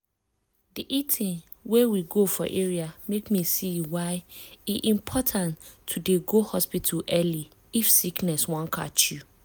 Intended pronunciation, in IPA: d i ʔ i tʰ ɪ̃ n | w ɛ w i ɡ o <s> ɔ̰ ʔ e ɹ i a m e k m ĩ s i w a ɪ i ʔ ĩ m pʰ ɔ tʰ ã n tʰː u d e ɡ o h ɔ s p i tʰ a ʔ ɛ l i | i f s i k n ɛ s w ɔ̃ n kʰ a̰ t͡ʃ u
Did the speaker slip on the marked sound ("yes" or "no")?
yes